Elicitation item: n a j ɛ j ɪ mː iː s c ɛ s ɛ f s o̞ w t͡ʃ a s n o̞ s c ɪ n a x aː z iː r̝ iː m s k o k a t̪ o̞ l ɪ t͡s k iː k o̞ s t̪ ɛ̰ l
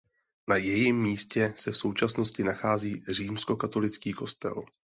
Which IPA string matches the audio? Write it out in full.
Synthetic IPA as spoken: n a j ɛ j ɪ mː iː s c ɛ s ɛ f s o̞ w t͡ʃ a s n o̞ s c ɪ n a x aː z iː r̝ iː m s k o k a t̪ o̞ l ɪ t͡s k iː k o̞ s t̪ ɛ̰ l